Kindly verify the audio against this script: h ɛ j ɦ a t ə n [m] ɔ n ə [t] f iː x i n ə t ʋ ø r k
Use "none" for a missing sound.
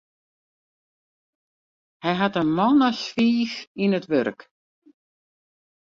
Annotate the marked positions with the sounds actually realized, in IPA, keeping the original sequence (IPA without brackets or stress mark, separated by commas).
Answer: m, s